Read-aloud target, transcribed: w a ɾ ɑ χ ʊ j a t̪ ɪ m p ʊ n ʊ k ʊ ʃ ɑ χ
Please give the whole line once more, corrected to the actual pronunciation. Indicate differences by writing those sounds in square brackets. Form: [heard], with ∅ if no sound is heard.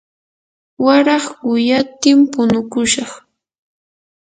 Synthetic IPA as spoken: w a ɾ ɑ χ ʊ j a t̪ ɪ m p ʊ n ʊ k ʊ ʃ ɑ χ